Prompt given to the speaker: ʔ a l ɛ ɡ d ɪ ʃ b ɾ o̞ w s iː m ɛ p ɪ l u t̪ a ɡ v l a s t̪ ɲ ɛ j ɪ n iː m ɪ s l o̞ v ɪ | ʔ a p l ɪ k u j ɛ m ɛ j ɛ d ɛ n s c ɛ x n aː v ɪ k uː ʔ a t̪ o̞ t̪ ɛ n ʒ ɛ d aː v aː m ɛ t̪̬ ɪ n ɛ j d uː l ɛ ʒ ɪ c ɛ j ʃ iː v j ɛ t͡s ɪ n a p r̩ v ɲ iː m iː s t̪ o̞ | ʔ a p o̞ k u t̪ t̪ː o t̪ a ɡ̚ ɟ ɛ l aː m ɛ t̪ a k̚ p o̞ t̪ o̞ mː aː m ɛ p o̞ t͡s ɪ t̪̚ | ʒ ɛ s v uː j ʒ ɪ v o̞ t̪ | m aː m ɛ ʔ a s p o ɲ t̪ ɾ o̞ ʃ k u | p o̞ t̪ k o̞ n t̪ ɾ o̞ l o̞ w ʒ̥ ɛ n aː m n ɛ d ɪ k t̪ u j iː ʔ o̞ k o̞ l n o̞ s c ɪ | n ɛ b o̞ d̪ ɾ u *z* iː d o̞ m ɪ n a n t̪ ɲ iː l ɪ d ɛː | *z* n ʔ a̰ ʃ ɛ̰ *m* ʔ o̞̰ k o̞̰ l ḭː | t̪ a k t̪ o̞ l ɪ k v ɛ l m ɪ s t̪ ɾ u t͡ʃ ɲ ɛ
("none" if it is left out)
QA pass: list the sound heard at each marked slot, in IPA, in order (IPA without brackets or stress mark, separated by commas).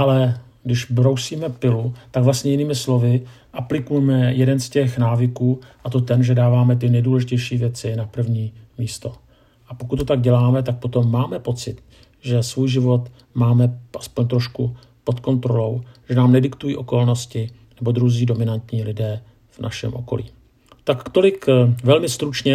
z, v, m